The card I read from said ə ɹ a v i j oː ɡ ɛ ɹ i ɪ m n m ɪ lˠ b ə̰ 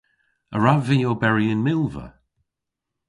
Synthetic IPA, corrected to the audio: ə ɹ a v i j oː b ɛ ɹ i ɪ n m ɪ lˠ v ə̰